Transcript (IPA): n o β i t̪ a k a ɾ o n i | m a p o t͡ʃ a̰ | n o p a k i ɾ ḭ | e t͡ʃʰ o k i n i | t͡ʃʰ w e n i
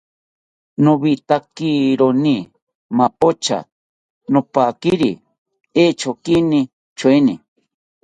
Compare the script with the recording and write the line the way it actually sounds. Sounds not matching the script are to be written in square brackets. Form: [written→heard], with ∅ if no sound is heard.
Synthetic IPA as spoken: n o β i t̪ a k [a→i] ɾ o n i | m a p o t͡ʃ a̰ | n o p a k i ɾ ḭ | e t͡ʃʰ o k i n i | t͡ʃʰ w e n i